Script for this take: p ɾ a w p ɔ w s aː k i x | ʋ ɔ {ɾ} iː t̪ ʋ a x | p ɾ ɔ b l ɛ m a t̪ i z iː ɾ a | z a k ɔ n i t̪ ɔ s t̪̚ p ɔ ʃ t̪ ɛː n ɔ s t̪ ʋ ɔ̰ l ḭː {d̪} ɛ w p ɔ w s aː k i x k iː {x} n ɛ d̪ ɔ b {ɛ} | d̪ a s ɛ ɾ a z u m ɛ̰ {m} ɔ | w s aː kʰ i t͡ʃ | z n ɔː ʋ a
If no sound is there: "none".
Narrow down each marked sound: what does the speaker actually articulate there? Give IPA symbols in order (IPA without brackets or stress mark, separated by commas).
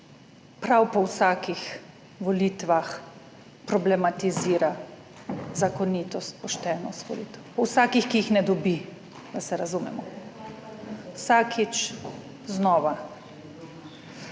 l, t̪, x, i, m